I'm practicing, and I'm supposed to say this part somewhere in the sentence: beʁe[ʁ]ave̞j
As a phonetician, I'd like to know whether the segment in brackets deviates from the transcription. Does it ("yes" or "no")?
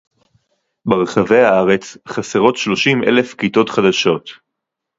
yes